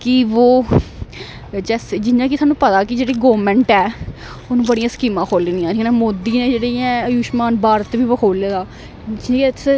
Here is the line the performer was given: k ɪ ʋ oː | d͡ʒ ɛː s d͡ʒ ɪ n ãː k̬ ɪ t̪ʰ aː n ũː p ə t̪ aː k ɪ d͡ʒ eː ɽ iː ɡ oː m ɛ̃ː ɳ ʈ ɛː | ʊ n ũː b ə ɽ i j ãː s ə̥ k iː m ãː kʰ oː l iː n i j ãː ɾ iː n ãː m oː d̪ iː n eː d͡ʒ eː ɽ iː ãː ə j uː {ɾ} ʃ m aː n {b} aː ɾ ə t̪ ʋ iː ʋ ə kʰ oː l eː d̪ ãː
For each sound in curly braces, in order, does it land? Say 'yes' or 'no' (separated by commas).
no, yes